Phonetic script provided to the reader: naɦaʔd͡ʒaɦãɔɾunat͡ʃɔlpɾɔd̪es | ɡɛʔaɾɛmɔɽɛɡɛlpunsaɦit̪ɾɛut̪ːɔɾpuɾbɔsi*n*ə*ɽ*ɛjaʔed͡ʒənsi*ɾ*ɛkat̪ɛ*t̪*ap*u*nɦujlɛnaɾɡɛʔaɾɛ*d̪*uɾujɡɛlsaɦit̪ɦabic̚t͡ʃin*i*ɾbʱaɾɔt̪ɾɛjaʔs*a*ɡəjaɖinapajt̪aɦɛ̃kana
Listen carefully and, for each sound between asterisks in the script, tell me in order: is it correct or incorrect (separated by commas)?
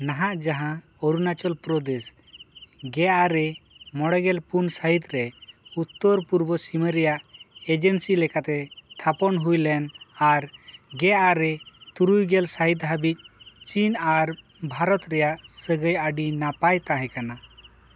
incorrect, incorrect, incorrect, incorrect, incorrect, incorrect, incorrect, incorrect